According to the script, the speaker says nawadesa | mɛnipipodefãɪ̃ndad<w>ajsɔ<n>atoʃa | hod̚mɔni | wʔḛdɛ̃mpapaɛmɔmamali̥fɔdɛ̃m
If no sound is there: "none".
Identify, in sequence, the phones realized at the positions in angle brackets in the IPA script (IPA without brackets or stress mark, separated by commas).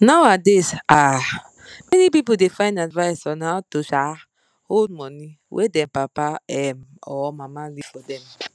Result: v, n